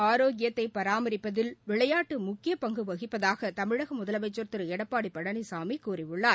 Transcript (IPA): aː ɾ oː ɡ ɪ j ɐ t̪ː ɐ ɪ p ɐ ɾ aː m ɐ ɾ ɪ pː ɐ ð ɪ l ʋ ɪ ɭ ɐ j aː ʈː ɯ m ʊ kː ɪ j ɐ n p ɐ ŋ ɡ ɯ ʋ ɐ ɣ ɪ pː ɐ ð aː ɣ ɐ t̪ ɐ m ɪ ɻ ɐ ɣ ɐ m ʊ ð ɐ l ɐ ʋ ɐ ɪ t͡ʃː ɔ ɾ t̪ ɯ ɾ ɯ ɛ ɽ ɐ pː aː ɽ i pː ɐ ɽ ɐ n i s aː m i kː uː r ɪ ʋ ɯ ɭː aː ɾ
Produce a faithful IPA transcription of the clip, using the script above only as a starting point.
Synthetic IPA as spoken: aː ɾ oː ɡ ɪ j ɐ t̪ː ɐ ɪ p ɐ ɾ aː m ɐ ɾ ɪ pː ɐ ð ɪ l ʋ ɪ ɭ ɐ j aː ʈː ɯ m ʊ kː ɪ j ɐ p ɐ ŋ ɡ ɯ ʋ ɐ ɣ ɪ pː ɐ ð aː ɣ ɐ t̪ ɐ m ɪ ɻ ɐ ɣ ɐ m ʊ ð ɐ l ɐ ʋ ɐ ɪ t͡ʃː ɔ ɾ t̪ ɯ ɾ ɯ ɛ ɽ ɐ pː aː ɽ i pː ɐ ɽ ɐ n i s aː m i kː uː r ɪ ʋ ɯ ɭː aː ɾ